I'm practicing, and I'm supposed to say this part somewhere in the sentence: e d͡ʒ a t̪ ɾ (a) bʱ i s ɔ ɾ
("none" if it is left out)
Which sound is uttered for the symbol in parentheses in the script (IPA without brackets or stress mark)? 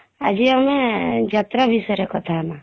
a